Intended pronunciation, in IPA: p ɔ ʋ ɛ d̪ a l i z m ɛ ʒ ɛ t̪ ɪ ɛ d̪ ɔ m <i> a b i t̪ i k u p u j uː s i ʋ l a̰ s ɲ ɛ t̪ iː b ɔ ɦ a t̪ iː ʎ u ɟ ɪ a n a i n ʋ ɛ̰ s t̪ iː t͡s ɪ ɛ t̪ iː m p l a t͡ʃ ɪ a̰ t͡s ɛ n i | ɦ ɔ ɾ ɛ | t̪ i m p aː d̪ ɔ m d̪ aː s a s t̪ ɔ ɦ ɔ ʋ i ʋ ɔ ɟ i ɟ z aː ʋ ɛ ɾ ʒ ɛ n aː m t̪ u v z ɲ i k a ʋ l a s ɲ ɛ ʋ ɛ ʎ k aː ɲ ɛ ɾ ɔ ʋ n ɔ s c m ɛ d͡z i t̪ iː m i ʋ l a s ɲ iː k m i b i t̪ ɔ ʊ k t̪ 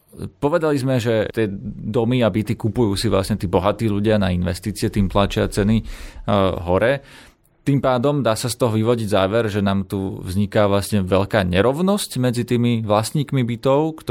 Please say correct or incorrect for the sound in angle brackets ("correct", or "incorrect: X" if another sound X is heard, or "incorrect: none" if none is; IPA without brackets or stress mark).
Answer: correct